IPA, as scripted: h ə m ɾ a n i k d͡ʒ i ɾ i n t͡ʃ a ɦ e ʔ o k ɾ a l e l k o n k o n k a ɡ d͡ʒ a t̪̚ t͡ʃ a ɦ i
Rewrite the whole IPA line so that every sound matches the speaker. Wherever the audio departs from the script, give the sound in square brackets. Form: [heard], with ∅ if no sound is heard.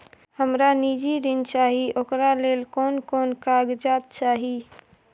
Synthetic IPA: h ə m ɾ a n i [∅] d͡ʒ i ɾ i n t͡ʃ a ɦ [i] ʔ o k ɾ a l e l k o n k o n k a ɡ d͡ʒ a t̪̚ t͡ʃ a ɦ i